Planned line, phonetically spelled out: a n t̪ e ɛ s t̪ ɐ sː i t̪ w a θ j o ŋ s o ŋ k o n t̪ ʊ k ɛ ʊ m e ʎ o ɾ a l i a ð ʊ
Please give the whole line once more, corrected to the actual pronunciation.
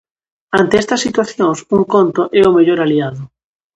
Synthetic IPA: a n t̪ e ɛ s t̪ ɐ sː i t̪ w a θ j o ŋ s u ŋ k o n t̪ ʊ ʔ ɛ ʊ m e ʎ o ɾ a l i a ð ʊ